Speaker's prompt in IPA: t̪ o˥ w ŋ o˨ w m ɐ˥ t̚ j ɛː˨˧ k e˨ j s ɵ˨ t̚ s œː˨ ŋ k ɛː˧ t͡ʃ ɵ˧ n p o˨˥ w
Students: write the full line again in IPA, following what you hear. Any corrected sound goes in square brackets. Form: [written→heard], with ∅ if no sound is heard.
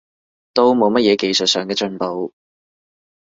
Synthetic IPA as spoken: t̪ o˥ w [ŋ→m] o˨ w m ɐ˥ t̚ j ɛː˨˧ k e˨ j s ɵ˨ t̚ s œː˨ ŋ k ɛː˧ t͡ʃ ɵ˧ n p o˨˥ w